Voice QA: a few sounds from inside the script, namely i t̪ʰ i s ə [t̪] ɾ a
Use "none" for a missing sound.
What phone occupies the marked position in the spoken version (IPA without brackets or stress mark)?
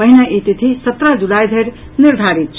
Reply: t̪